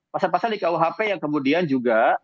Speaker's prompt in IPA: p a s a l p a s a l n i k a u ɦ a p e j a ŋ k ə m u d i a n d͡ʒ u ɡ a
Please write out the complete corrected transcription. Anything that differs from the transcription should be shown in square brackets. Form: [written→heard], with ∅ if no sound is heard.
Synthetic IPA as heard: p a s a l p a s a l [n→d] i k a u ɦ a p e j a ŋ k ə m u d i a n d͡ʒ u ɡ a